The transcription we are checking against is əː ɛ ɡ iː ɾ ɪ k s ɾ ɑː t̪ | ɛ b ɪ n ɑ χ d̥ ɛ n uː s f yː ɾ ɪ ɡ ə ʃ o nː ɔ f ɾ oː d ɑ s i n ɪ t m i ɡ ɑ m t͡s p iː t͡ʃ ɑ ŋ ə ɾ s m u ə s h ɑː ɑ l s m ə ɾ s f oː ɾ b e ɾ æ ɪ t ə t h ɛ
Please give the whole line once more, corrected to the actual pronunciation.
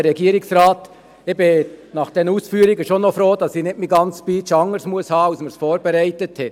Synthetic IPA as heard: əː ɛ ɡ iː ɾ ɪ k s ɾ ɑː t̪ | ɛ b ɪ n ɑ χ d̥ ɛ n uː s f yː ɾ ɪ ɡ ə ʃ o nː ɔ f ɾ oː d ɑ s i n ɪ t m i ɡ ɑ n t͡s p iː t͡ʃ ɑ ŋ ə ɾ s m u ə s h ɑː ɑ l s m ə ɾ s f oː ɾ b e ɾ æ ɪ t ə t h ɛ